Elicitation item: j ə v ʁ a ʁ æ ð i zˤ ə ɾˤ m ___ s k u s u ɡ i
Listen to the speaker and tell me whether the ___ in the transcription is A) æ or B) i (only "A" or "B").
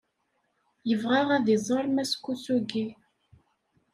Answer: A